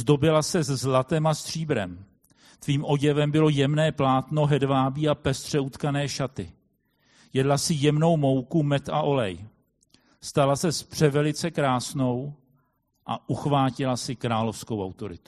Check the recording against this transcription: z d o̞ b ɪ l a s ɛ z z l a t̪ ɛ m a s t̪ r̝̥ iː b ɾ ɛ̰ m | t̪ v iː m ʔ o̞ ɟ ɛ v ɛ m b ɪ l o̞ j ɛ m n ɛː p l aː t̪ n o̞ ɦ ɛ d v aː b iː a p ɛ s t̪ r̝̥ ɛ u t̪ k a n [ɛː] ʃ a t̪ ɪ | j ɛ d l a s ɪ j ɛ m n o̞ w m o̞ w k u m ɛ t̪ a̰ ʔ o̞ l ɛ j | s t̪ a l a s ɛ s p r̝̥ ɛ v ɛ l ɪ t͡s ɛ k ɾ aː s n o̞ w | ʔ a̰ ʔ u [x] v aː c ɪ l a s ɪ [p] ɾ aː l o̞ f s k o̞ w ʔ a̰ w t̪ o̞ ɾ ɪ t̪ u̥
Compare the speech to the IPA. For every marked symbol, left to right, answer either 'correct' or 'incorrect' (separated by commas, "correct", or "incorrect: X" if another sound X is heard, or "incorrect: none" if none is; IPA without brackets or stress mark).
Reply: correct, correct, incorrect: k